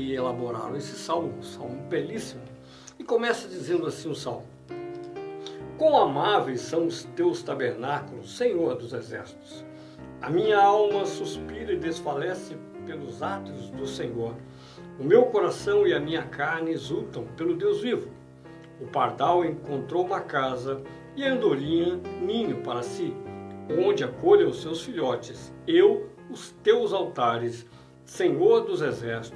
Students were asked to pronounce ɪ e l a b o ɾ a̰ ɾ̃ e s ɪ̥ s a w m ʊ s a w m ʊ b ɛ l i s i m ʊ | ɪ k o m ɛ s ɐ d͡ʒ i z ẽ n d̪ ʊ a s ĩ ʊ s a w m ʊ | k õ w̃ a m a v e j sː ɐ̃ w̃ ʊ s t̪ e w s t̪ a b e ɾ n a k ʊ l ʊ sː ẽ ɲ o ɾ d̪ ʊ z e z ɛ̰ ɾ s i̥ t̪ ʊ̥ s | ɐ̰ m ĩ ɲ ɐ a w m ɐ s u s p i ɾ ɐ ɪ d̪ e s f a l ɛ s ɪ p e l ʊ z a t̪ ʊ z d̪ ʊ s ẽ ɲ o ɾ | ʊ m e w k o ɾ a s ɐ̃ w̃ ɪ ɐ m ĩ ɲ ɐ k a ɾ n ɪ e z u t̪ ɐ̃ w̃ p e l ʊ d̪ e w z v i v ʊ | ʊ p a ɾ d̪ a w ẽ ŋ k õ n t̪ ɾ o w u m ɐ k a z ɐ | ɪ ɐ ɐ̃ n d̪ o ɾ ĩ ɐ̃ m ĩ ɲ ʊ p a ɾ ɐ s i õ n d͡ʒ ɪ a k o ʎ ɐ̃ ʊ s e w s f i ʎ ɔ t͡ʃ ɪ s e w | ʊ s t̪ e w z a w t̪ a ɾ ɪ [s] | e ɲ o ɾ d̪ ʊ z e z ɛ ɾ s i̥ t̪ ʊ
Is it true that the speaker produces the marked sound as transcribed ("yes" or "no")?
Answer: no